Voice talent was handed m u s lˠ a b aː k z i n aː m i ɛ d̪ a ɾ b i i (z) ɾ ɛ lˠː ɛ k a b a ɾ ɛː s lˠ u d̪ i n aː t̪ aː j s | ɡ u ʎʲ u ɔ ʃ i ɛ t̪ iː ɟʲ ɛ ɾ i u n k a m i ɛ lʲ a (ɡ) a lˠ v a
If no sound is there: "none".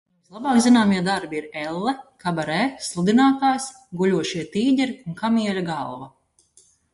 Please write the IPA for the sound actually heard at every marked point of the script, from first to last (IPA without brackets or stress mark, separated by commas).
none, ɡ